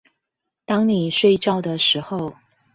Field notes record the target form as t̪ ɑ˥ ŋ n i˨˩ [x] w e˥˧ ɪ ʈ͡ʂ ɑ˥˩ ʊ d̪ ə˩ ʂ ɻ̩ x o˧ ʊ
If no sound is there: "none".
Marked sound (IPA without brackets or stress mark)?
ʂ